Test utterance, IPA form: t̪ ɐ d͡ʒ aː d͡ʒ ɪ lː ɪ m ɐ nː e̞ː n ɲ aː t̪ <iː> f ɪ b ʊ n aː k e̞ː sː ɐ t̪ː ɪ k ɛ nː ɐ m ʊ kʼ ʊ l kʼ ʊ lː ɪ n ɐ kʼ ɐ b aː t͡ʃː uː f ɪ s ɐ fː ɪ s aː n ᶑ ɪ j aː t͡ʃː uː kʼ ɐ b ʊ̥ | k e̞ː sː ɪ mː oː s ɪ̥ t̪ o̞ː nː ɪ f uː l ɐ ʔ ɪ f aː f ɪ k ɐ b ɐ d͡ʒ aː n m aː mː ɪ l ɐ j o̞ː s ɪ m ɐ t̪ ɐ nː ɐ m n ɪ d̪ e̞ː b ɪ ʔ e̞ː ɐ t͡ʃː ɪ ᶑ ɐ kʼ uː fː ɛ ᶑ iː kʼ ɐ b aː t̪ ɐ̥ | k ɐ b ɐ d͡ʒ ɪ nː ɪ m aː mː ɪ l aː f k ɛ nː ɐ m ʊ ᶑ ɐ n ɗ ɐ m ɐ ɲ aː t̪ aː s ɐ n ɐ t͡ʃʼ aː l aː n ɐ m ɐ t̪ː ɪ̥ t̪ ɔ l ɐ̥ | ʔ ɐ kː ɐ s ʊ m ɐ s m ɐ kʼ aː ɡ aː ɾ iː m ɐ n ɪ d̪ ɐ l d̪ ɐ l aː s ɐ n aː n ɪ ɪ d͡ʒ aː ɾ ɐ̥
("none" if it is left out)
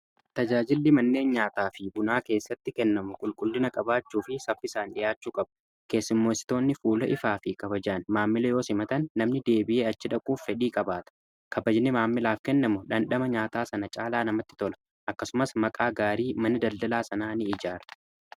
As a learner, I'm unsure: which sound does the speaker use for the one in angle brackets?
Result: aː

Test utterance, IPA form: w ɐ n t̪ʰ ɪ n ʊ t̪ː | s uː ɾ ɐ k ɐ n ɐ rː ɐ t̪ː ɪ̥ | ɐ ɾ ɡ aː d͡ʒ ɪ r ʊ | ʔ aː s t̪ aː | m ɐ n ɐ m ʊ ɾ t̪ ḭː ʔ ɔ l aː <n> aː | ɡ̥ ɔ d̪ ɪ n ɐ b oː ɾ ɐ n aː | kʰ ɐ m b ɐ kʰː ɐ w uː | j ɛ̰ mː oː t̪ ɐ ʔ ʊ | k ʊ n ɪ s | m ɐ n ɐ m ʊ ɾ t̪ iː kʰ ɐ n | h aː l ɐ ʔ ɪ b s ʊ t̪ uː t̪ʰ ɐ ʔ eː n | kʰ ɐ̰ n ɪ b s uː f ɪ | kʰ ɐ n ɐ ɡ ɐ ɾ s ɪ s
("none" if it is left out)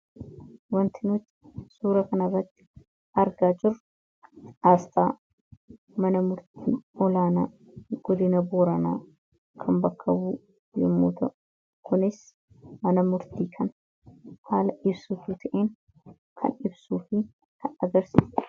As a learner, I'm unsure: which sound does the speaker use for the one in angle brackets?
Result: n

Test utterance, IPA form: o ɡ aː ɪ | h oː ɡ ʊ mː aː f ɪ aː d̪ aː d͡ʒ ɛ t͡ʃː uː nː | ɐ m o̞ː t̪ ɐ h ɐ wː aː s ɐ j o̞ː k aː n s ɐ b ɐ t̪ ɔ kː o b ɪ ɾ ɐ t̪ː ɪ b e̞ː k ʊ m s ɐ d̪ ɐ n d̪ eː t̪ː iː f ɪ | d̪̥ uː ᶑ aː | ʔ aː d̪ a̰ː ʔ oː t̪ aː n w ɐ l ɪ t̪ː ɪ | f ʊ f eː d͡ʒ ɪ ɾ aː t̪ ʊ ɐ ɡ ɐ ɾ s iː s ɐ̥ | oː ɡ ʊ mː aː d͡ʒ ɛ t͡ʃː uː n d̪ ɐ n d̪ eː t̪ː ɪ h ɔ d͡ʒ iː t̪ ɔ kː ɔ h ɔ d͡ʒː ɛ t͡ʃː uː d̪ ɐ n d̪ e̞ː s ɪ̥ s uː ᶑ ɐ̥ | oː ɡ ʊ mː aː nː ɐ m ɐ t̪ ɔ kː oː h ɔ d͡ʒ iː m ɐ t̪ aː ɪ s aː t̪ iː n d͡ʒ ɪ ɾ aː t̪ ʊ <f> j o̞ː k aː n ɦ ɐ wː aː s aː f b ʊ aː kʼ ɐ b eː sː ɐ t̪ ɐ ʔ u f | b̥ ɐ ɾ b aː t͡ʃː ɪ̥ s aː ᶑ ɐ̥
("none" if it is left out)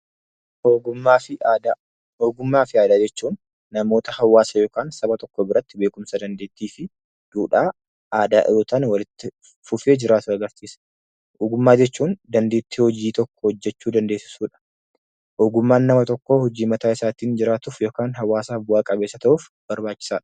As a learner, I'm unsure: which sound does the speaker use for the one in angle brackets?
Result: f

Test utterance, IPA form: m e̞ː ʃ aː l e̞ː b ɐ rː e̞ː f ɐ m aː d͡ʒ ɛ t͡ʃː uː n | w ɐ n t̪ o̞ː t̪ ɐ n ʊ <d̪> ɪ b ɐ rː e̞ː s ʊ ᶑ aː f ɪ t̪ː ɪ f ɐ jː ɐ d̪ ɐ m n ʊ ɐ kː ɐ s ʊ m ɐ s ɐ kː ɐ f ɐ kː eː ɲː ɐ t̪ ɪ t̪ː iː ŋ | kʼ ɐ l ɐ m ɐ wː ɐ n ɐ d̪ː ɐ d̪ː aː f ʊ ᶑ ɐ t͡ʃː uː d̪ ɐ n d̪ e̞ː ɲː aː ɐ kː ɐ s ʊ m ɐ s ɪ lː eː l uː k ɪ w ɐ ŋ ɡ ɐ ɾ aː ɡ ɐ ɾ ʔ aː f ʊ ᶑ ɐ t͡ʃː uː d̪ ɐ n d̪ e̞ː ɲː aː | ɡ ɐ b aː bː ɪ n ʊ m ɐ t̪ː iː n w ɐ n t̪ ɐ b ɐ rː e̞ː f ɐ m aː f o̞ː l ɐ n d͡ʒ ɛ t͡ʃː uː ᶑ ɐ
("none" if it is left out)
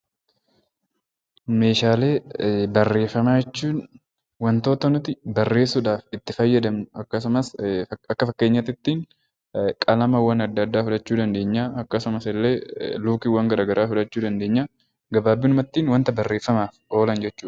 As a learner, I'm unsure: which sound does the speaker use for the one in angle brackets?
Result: t̪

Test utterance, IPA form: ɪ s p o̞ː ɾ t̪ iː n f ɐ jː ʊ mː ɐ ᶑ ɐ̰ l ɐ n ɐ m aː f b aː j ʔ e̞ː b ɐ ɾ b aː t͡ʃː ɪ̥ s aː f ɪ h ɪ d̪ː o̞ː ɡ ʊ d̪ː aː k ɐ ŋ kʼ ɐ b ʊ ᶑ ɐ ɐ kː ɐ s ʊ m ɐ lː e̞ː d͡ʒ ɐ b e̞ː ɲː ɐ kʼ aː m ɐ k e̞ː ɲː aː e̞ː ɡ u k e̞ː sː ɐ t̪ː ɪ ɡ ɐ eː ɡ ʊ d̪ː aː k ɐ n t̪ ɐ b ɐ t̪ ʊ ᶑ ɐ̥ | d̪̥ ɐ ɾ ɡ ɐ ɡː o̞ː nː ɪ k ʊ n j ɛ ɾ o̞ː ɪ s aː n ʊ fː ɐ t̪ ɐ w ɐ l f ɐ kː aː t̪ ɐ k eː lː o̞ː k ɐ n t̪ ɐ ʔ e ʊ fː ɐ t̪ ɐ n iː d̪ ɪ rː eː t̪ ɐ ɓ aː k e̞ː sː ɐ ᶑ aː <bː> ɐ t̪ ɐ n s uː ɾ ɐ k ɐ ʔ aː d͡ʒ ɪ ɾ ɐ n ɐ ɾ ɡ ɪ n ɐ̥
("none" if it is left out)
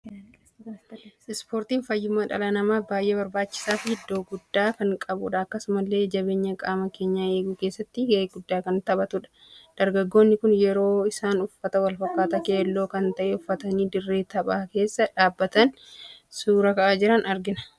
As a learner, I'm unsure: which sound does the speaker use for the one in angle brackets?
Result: bː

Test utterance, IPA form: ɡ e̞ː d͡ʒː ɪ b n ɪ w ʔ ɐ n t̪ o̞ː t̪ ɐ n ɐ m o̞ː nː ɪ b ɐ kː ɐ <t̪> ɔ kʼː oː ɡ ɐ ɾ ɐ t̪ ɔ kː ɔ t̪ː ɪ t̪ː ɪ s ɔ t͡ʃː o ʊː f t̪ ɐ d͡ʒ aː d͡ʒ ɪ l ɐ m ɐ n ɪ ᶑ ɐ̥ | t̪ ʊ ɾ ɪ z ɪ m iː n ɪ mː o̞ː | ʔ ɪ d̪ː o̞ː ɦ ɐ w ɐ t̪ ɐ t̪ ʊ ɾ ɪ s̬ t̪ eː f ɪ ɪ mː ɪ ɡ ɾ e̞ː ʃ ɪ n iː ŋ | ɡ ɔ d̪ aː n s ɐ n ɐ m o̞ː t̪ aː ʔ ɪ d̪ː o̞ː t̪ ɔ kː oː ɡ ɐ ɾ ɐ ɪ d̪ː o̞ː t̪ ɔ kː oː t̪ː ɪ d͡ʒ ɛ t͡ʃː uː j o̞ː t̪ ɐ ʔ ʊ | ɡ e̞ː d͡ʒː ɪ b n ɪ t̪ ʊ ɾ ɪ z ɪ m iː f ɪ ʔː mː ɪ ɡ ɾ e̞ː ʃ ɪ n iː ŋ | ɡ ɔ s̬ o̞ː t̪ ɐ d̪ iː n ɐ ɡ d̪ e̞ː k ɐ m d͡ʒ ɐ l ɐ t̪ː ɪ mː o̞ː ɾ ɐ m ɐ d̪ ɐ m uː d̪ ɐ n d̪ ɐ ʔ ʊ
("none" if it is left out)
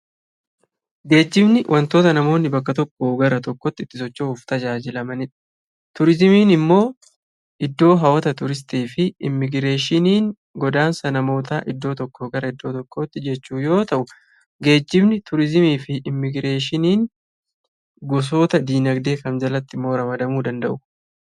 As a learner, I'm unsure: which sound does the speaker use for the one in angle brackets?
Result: t̪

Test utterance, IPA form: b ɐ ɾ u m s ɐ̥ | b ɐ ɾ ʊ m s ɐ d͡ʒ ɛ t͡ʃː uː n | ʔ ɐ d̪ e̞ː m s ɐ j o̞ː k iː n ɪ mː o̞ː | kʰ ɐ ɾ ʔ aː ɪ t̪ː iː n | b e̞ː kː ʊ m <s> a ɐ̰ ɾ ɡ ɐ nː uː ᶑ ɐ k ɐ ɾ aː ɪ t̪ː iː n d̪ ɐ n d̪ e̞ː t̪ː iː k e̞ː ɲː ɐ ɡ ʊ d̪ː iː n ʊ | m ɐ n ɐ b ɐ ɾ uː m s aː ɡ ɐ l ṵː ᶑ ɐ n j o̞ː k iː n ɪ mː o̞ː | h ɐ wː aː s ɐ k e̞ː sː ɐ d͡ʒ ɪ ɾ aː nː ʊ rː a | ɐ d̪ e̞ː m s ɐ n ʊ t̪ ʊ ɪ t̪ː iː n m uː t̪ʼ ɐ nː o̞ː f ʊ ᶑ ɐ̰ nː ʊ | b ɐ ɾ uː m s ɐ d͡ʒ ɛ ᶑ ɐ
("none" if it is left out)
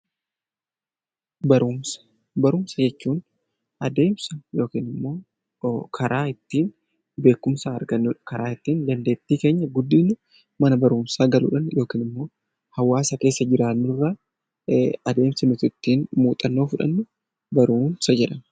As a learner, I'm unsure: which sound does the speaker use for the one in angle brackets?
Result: s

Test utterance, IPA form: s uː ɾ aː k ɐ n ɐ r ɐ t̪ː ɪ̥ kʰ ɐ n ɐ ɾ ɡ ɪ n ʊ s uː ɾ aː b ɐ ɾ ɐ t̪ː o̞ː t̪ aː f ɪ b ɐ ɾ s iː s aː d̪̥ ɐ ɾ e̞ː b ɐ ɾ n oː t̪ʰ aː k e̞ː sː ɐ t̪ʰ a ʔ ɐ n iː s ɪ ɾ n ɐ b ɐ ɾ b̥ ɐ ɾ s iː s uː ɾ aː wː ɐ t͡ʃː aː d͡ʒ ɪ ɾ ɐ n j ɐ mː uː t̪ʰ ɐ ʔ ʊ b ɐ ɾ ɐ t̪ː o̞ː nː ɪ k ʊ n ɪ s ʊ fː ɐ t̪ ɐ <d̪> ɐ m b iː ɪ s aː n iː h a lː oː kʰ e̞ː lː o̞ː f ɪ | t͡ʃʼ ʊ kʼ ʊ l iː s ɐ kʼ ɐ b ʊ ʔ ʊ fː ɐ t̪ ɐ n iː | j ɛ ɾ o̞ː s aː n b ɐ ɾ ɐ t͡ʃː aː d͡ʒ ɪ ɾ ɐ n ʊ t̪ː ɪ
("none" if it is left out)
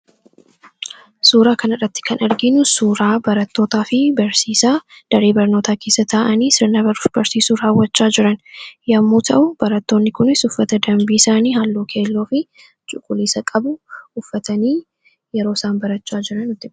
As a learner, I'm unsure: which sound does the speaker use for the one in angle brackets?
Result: d̪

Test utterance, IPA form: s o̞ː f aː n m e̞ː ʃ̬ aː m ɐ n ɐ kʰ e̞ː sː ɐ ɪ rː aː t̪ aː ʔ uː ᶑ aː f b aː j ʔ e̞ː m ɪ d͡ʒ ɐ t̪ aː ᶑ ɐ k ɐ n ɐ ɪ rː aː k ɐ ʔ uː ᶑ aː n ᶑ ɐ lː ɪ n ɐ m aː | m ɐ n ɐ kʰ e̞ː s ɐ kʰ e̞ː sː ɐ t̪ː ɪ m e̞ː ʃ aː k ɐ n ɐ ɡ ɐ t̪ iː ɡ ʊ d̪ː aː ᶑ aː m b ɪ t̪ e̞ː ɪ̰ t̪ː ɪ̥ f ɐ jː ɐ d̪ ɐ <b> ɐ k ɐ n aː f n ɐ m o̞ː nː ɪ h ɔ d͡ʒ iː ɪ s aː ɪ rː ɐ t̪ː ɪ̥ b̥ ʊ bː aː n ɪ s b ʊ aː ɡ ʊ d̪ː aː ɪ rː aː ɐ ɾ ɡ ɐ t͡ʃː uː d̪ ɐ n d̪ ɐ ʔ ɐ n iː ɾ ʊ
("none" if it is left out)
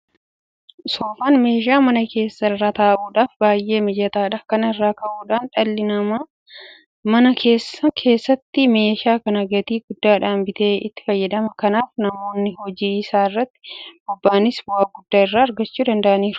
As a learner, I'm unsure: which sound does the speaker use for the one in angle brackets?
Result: m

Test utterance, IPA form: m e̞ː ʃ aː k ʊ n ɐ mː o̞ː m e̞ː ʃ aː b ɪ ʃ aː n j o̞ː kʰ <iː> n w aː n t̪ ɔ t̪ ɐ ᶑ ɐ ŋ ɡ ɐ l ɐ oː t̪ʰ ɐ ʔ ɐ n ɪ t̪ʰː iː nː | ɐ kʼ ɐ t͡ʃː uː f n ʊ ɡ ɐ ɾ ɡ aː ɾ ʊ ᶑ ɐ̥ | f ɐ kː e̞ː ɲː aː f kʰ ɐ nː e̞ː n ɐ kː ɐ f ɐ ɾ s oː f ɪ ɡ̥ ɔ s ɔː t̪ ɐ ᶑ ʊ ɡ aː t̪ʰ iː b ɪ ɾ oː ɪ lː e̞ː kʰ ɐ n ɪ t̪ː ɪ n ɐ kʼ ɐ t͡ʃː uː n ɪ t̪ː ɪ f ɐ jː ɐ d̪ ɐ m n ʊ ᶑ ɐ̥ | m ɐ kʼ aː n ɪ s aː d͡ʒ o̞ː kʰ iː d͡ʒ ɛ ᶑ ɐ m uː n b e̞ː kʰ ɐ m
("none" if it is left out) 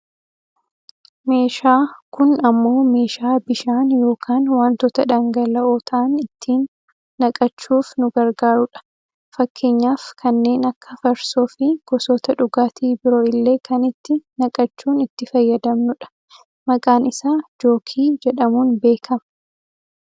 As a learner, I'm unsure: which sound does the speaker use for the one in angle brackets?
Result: aː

